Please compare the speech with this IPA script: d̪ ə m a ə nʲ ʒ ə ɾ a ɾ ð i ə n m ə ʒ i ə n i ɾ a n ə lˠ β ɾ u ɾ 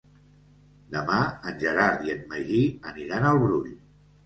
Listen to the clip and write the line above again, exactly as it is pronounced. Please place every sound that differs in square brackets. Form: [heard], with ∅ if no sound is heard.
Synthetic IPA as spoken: d̪ ə m a ə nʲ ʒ ə ɾ a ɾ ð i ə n m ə ʒ i ə n i ɾ a n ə lˠ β ɾ u [ʎ]